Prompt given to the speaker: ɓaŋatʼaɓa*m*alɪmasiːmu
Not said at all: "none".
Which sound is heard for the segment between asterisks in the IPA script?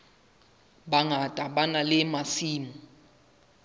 n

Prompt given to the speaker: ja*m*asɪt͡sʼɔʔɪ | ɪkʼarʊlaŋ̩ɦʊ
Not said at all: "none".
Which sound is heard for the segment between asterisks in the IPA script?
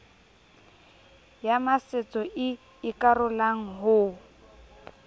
m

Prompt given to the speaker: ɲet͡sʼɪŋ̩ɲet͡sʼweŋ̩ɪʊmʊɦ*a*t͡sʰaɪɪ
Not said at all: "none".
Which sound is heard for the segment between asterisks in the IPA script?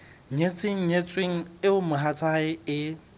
a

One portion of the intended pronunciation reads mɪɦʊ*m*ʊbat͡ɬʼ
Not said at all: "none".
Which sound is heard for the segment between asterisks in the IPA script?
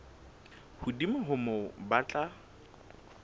m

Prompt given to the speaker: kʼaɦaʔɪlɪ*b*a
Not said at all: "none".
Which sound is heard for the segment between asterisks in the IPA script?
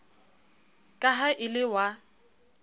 w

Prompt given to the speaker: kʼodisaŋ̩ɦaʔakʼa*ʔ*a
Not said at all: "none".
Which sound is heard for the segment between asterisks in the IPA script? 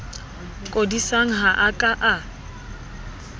ʔ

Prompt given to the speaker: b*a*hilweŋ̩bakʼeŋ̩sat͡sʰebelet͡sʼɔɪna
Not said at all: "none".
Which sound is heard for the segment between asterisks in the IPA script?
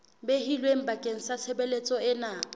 e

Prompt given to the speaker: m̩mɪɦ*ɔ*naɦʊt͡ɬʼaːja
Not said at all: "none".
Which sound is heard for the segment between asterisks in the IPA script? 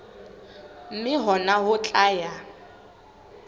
ɔ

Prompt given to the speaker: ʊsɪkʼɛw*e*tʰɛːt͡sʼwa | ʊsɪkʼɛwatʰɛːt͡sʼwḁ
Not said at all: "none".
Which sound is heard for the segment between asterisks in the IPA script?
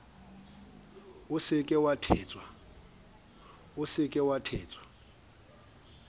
a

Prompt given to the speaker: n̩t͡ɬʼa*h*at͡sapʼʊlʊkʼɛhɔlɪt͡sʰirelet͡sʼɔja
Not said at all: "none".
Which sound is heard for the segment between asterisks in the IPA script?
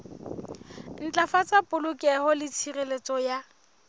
f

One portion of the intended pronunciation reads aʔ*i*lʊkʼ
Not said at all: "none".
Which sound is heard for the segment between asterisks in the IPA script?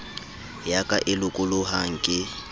ɪ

